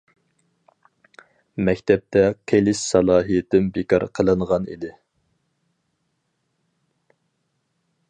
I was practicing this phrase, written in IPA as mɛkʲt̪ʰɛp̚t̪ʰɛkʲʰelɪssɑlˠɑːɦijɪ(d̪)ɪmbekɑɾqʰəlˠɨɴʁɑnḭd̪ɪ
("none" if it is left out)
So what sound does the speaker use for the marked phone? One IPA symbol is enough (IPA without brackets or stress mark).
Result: t̪